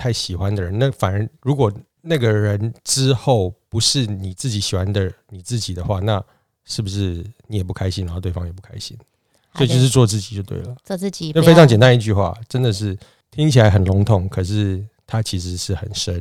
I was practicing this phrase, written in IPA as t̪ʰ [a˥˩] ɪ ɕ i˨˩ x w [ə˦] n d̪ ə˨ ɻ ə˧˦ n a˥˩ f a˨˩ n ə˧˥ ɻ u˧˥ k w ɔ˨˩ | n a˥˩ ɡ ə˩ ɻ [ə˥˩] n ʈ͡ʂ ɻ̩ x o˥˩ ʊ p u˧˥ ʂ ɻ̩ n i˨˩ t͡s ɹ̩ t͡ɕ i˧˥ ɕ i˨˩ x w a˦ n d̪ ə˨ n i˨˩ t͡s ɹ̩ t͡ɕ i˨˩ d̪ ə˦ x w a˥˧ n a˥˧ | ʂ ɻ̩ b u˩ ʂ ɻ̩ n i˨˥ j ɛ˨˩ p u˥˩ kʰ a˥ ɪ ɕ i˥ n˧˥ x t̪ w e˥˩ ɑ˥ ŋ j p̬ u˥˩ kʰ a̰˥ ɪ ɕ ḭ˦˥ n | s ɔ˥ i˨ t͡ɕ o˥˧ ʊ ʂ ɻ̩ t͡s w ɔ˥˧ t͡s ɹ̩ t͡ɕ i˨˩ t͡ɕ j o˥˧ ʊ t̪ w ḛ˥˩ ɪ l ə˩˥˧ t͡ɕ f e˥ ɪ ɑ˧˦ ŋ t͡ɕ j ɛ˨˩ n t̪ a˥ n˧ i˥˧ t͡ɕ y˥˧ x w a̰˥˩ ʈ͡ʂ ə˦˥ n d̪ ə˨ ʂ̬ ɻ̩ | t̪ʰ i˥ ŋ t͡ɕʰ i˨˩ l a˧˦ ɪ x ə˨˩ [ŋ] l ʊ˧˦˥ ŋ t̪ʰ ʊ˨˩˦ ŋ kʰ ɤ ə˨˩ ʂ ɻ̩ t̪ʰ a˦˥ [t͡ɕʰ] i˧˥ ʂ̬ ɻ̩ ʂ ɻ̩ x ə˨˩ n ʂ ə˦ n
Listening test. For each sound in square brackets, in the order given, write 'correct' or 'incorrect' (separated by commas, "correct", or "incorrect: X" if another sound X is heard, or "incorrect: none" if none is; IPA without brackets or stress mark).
correct, incorrect: a˦, incorrect: ə˧˦, incorrect: n, correct